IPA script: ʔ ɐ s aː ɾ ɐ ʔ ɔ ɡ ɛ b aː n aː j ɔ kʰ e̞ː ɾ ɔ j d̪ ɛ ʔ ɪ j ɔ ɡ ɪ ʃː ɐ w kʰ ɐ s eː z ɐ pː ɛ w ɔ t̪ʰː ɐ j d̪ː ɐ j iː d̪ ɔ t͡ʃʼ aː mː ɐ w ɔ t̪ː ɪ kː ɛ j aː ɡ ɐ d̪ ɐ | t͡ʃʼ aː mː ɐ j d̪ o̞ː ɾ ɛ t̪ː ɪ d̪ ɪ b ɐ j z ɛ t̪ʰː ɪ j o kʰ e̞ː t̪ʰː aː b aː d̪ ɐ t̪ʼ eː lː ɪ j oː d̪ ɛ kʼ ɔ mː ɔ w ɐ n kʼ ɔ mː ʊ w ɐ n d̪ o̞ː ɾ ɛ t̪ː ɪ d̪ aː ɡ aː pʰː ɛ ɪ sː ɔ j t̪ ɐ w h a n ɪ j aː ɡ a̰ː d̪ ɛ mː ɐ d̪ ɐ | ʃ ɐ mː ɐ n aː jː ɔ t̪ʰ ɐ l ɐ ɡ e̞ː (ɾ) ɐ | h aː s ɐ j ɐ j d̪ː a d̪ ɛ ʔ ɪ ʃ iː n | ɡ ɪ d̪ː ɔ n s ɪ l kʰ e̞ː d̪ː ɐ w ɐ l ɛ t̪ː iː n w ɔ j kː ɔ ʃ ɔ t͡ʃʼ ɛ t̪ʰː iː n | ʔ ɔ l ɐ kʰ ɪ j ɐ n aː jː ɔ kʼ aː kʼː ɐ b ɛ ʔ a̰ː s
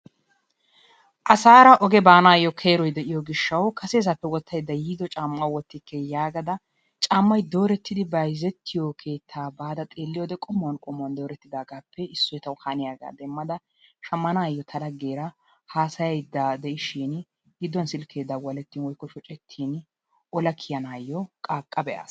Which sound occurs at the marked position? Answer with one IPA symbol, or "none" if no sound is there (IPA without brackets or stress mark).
ɾ